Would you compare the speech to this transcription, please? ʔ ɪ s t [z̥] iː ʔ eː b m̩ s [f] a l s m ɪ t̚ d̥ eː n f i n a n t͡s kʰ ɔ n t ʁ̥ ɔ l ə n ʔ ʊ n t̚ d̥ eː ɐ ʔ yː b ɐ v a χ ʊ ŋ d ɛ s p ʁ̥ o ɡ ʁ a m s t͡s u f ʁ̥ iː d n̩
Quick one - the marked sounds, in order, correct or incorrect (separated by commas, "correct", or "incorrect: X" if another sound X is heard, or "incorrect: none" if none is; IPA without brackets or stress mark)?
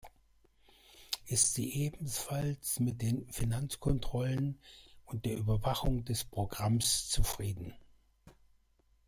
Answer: correct, correct